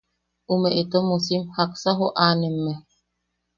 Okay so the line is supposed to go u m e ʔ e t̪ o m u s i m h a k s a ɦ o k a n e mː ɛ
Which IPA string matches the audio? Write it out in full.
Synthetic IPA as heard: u m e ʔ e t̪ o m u s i m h a k s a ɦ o ʔ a n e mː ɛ

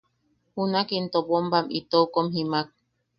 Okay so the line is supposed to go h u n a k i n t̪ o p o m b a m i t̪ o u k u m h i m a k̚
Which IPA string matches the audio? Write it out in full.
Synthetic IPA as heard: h u n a k i n t̪ o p o m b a m i t̪ o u k o m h i m a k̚

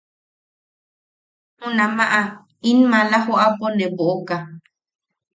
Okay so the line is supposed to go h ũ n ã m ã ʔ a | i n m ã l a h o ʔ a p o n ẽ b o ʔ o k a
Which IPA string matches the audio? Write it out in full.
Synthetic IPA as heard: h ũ n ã m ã ʔ a | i n m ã l a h o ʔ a p o n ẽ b o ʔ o k a

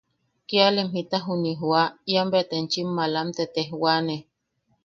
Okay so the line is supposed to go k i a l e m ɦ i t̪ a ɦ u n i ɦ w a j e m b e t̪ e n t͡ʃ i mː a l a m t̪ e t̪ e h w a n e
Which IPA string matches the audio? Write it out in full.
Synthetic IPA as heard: k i a l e m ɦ i t̪ a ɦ u n i ɦ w a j a m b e t̪ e n t͡ʃ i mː a l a m t̪ e t̪ e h w a n e

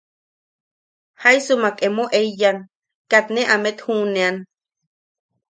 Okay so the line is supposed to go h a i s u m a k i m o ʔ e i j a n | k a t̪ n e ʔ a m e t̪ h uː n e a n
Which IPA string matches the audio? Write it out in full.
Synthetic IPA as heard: h a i s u m a k e m o ʔ e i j a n | k a t̪ n e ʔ a m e t̪ h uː n e a n

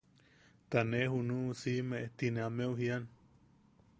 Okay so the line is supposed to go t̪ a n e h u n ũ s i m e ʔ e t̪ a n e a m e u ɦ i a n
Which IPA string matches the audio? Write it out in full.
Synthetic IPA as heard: t̪ a n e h u n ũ s i m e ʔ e t̪ i n e a m e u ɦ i a n

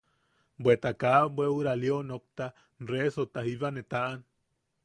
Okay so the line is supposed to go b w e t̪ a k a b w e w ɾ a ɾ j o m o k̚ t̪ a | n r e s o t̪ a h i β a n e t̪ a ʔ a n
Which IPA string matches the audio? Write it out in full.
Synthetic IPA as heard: b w e t̪ a k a b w e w ɾ a l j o n o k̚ t̪ a | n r e s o t̪ a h i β a n e t̪ a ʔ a n

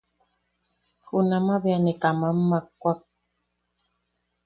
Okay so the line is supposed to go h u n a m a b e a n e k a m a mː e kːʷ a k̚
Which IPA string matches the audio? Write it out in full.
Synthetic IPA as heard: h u n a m a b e a n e k a m a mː a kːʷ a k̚

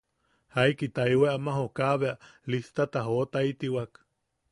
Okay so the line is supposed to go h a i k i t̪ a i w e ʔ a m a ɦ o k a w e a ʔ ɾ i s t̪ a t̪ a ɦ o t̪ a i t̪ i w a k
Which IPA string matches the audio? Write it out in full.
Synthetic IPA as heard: h a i k i t̪ a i w e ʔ a m a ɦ o k a β e a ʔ l i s t̪ a t̪ a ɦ o t̪ a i t̪ i w a k

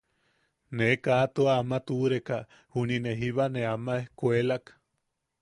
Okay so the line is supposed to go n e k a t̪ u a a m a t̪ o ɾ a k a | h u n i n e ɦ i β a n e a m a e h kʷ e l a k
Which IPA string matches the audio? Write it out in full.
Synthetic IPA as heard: n e k a t̪ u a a m a t̪ u ɾ e k a | h u n i n e ɦ i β a n e a m a e h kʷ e l a k

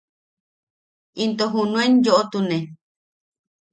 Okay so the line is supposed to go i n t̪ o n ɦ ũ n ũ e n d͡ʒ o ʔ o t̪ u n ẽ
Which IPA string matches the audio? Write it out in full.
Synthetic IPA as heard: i n t̪ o ɦ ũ n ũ e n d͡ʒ o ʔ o t̪ u n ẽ

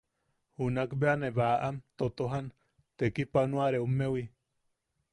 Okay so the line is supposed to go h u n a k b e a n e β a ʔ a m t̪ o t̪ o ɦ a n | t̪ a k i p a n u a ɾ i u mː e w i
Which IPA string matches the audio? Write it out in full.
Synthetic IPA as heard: h u n a k b e a n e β a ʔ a m t̪ o t̪ o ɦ a n | t̪ e k i p a n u a ɾ e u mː e w i

